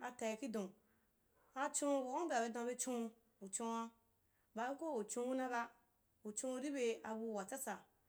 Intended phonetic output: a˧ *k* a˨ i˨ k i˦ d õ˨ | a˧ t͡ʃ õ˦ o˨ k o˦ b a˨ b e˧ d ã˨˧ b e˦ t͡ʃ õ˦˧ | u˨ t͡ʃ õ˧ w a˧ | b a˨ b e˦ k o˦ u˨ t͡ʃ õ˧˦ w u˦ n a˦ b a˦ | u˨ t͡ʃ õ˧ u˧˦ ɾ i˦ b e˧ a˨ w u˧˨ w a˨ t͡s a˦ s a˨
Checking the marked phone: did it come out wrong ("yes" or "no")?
yes